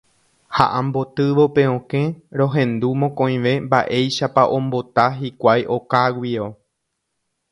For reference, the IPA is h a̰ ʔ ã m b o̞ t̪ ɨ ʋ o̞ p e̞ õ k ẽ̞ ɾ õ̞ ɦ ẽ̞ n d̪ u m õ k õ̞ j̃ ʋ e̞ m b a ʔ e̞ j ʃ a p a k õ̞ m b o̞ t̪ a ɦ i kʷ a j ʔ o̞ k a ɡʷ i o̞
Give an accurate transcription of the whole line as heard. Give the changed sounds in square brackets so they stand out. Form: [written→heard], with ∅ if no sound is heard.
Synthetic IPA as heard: h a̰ ʔ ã m b o̞ t̪ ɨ ʋ o̞ p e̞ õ k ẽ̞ ɾ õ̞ ɦ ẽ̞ n d̪ u m õ k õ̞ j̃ ʋ e̞ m b a ʔ e̞ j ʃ a p a [k→ʔ] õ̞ m b o̞ t̪ a ɦ i kʷ a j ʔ o̞ k a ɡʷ i o̞